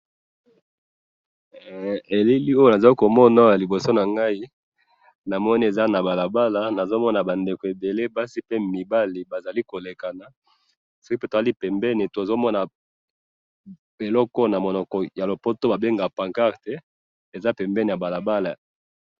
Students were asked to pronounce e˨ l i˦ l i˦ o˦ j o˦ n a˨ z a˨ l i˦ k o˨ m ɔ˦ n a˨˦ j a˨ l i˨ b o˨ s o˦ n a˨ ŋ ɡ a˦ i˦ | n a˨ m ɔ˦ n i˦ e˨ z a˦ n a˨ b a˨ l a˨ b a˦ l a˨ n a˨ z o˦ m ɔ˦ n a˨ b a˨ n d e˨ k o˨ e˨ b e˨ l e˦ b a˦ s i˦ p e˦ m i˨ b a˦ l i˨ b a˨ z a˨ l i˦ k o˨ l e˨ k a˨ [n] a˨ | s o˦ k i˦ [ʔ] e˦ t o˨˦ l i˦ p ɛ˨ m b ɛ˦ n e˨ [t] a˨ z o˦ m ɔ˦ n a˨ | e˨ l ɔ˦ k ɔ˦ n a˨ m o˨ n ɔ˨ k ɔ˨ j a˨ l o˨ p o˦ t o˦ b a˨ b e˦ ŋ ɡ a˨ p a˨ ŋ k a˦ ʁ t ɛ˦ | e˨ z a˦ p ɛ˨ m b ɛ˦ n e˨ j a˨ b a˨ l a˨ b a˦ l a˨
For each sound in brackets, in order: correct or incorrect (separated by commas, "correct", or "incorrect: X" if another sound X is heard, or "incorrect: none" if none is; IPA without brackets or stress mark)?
correct, incorrect: p, correct